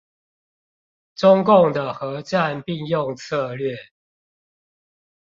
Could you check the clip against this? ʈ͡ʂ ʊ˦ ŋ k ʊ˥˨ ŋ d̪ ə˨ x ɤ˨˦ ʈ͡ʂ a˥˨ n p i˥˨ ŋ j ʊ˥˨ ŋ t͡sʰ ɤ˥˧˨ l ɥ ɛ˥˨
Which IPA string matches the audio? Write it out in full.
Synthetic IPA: ʈ͡ʂ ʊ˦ ŋ k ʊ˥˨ ŋ d̪ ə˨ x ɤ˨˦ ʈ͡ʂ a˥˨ n p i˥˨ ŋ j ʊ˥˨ ŋ t͡sʰ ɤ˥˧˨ l ɥ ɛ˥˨

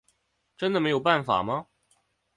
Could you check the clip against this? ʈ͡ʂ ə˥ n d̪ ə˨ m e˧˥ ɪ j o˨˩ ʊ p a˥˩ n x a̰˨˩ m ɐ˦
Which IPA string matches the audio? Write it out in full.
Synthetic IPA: ʈ͡ʂ ə˥ n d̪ ə˨ m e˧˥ ɪ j o˨˩ ʊ p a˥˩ n f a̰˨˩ m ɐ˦

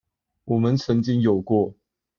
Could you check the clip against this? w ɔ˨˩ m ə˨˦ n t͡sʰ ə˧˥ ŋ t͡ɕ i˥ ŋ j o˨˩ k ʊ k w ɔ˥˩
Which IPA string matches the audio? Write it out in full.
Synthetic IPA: w ɔ˨˩ m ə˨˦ n t͡sʰ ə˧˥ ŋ t͡ɕ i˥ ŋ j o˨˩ ʊ k w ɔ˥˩

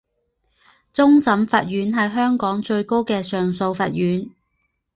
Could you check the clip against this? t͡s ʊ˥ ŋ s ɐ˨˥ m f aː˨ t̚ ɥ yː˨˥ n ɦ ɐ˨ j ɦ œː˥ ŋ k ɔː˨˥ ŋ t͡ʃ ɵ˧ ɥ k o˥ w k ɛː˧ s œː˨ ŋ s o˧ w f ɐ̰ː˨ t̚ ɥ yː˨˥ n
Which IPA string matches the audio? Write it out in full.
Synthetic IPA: t͡s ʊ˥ ŋ s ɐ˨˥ m f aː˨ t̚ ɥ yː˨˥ n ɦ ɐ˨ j ɦ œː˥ ŋ k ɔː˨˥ ŋ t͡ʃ ɵ˧ ɥ k o˥ w k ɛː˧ s œː˨ ŋ s o˧ w f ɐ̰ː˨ t̚ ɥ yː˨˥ n

